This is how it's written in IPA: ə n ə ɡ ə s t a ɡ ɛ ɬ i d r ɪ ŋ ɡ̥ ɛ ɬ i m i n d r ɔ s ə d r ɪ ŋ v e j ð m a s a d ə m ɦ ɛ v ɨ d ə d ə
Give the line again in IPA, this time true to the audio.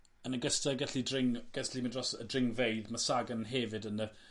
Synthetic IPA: ə n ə ɡ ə s t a ɡ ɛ ɬ i d r ɪ ŋ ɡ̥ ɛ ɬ i m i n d r ɔ s ə d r ɪ ŋ v e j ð m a s a ɡ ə n ɦ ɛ v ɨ d ə n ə